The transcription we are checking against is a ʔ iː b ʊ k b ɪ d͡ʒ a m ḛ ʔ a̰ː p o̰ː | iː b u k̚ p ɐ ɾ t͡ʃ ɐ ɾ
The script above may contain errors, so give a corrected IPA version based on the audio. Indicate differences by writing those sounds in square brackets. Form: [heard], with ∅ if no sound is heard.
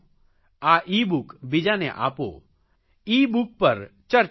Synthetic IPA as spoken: a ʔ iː b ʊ k b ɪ d͡ʒ a [n] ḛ ʔ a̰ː p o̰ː | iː b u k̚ p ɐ ɾ t͡ʃ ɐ ɾ